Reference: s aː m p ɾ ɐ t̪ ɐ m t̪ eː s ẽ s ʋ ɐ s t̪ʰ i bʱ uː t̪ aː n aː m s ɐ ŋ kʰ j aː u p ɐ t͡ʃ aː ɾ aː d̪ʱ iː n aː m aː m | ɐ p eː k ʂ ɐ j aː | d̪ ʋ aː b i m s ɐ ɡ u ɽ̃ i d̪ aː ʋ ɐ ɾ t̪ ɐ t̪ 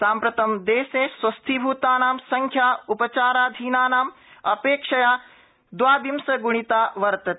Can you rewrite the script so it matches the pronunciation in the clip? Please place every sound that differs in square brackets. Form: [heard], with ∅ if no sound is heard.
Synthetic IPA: s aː m p ɾ ɐ t̪ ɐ m [d̪] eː s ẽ s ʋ ɐ s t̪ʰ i bʱ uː t̪ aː n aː m s ɐ ŋ kʰ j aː u p ɐ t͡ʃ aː ɾ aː d̪ʱ iː n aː [n] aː m | ɐ p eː k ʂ ɐ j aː | d̪ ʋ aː b i m s ɐ ɡ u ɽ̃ i [t̪] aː ʋ ɐ ɾ t̪ ɐ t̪

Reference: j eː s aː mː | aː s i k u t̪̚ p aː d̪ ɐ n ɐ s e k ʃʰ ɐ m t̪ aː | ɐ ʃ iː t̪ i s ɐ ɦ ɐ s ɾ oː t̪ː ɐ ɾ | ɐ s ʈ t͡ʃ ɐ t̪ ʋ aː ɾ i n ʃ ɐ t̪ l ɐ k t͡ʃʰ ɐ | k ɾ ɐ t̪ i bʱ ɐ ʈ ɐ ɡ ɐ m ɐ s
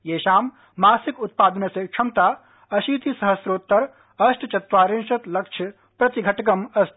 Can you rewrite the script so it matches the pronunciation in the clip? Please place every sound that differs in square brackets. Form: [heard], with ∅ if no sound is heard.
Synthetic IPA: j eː [ʃ] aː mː | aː s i k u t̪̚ p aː d̪ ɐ n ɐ s e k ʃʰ ɐ m t̪ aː | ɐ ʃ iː t̪ i s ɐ ɦ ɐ s ɾ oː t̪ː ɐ ɾ | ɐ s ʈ t͡ʃ ɐ t̪ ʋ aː ɾ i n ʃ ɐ t̪ l ɐ k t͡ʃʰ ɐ | [p] ɾ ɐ t̪ i [ɡʱ] ɐ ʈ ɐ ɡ ɐ m ɐ s

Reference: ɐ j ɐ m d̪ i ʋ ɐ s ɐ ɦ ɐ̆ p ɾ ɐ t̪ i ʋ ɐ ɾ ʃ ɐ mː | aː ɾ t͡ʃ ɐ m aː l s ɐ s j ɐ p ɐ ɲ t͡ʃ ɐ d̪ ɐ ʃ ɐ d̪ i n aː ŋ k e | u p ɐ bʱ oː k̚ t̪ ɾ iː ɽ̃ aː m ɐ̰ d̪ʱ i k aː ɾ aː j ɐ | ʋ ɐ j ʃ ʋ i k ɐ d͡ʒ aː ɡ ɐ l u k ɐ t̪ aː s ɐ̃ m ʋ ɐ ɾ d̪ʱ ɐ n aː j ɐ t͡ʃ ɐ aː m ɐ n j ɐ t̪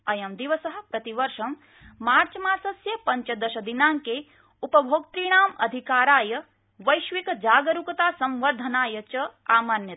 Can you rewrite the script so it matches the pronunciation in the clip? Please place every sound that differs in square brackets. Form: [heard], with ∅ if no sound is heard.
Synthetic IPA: ɐ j ɐ m d̪ i ʋ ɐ s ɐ ɦ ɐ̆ p ɾ ɐ t̪ i ʋ ɐ ɾ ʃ ɐ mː | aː ɾ t͡ʃ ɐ m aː [ɾ] s ɐ s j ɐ p ɐ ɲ t͡ʃ ɐ d̪ ɐ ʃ ɐ d̪ i n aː ŋ k e | u p ɐ bʱ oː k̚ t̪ ɾ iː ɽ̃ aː m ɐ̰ d̪ʱ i k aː ɾ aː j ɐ | ʋ ɐ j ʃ ʋ i k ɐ d͡ʒ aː ɡ ɐ [ɾ] u k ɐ t̪ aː s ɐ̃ m ʋ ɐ ɾ d̪ʱ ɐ n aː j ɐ t͡ʃ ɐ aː m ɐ n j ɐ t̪

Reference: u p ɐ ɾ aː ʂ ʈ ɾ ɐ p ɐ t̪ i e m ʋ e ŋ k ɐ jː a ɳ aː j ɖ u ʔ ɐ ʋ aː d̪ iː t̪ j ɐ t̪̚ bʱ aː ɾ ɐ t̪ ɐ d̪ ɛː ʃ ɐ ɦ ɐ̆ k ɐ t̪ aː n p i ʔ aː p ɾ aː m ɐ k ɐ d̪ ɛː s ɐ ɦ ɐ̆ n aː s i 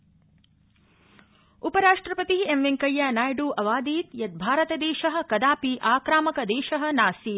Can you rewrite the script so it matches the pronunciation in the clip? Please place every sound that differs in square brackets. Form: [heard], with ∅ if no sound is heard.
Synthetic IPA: u p ɐ ɾ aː ʂ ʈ ɾ ɐ p ɐ t̪ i e m ʋ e ŋ k ɐ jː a [n] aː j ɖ u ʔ ɐ ʋ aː d̪ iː t̪ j ɐ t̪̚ bʱ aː ɾ ɐ t̪ ɐ d̪ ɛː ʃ ɐ ɦ ɐ̆ k ɐ [d̪] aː [∅] p i ʔ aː [k] ɾ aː m ɐ k ɐ d̪ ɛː [ʃ] ɐ ɦ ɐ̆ n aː s i

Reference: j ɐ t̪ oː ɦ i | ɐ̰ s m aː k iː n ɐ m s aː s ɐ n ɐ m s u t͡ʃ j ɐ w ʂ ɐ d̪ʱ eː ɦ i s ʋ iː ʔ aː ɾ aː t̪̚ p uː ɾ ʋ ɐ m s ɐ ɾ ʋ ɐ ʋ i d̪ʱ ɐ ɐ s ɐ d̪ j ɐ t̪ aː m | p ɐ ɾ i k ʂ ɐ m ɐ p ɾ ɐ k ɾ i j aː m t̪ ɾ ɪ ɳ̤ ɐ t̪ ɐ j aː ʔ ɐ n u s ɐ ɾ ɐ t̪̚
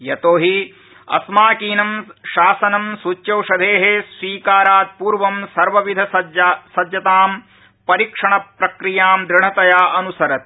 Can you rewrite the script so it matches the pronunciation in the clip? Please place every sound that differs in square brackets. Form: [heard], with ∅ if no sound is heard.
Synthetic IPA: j ɐ t̪ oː ɦ i | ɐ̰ s m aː k iː n ɐ m [ʃ] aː s ɐ n ɐ m s u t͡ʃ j ɐ w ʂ ɐ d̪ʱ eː ɦ [e] s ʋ iː [k] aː ɾ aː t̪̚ p uː ɾ ʋ ɐ m s ɐ ɾ ʋ ɐ ʋ i d̪ʱ ɐ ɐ s ɐ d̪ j ɐ t̪ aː m | p ɐ ɾ i k ʂ ɐ [ɳ] ɐ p ɾ ɐ k ɾ i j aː m [d̪] ɾ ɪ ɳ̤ ɐ t̪ ɐ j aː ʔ ɐ n u s ɐ ɾ ɐ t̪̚

